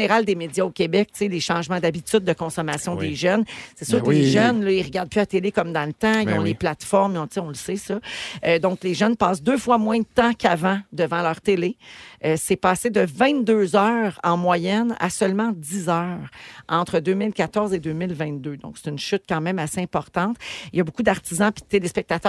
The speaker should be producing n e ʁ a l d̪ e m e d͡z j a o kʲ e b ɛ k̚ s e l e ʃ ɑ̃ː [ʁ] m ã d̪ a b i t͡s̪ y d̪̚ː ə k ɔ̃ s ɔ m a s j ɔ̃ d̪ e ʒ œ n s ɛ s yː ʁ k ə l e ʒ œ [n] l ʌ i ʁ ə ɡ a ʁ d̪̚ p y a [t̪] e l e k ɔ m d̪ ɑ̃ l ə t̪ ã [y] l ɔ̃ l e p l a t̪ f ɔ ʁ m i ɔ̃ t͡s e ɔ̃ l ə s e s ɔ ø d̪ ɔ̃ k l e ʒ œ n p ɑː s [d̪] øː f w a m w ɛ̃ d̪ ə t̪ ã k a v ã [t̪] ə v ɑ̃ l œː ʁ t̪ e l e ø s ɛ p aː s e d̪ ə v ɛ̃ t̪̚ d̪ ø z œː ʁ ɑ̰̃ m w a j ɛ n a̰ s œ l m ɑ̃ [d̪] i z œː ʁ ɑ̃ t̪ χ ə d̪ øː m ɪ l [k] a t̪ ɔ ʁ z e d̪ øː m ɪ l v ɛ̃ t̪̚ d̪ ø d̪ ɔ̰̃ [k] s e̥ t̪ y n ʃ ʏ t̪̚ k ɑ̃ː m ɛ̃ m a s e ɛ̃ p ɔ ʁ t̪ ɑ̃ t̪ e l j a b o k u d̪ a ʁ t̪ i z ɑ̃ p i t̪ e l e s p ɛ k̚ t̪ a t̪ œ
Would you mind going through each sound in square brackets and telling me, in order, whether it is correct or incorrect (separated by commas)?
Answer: incorrect, correct, correct, incorrect, correct, incorrect, correct, correct, correct